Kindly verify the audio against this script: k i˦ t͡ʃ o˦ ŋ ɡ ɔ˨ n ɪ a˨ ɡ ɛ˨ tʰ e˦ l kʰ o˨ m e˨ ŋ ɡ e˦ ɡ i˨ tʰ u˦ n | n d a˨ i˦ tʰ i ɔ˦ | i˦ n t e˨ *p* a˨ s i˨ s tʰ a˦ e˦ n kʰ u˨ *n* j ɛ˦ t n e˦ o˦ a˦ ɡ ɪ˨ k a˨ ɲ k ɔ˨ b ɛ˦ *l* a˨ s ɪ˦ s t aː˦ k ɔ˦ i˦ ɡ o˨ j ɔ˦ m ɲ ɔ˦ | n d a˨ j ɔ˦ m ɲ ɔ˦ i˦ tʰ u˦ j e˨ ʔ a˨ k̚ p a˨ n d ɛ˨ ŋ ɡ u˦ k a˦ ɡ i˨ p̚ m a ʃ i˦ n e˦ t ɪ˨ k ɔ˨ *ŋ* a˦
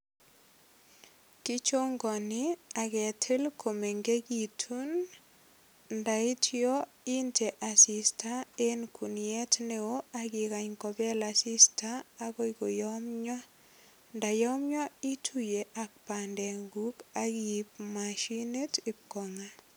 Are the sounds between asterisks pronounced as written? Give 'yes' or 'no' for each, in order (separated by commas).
no, yes, yes, yes